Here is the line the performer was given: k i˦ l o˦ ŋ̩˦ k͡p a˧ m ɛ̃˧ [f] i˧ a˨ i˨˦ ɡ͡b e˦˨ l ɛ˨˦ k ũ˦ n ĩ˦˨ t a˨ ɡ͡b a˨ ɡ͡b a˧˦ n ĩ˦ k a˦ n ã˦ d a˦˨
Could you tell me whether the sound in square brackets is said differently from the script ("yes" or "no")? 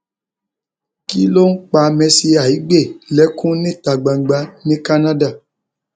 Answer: yes